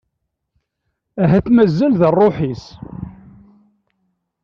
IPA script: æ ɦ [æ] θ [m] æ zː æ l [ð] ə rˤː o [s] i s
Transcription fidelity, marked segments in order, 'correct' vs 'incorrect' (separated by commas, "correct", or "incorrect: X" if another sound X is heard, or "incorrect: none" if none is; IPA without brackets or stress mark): correct, correct, correct, incorrect: ħ